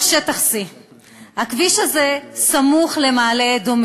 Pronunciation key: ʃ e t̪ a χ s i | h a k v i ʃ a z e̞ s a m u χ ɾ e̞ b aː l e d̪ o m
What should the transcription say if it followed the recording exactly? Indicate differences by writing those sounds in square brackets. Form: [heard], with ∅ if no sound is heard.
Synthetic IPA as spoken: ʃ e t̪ a χ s i | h a k v i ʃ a z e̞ s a m u χ [l] e̞ [m] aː l e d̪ o m